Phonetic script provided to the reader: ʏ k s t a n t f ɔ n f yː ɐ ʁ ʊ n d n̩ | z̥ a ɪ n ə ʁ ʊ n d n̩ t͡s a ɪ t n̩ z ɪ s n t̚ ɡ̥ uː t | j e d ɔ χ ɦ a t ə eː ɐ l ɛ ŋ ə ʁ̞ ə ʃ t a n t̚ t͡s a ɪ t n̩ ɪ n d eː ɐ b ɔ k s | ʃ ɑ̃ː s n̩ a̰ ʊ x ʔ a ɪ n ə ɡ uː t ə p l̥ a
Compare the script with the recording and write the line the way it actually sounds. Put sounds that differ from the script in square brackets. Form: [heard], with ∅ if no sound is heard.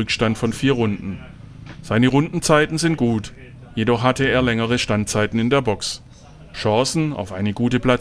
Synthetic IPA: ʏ k [ʃ] t a n t f ɔ n f [iː] ɐ ʁ ʊ n d n̩ | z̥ a ɪ n ə ʁ ʊ n d n̩ t͡s a ɪ t n̩ z ɪ [∅] n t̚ ɡ̥ uː t | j e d ɔ χ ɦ a t ə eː ɐ l ɛ ŋ ə ʁ̞ ə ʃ t a n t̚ t͡s a ɪ t n̩ ɪ n d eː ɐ b ɔ k s | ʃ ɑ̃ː s n̩ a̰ ʊ [f] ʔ a ɪ n ə ɡ uː t ə p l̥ a